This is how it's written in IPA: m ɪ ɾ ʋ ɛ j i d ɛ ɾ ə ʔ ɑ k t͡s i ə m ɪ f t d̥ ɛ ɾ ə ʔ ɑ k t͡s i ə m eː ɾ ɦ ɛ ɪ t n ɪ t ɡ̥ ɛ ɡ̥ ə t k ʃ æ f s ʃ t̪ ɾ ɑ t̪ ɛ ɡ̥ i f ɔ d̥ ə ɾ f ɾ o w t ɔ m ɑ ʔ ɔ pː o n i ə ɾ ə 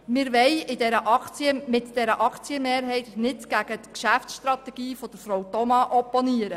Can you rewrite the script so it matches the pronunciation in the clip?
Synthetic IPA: m ɪ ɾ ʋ ɛ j ɪ d ɛ ɾ ə ʔ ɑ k t͡s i ə m ɪ t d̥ ɛ ɾ ə ʔ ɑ k t͡s i ə m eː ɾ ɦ ɛ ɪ t n ɪ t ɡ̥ æ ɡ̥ ə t k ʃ æ f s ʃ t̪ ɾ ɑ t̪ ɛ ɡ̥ iː f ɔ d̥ ə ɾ f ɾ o w t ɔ m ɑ ʔ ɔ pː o n i ə ɾ ə